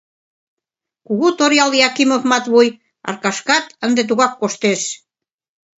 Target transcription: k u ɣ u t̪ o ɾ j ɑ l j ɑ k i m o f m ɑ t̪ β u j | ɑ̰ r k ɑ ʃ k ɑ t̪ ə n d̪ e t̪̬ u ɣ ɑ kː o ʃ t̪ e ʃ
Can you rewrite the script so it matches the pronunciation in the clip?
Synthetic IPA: k u ɣ u t̪ o ɾ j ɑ l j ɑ k i m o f m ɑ t̪ β u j | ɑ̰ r k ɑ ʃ k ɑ t̪ ə n d̪ e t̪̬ u ɣ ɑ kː o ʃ t̪ e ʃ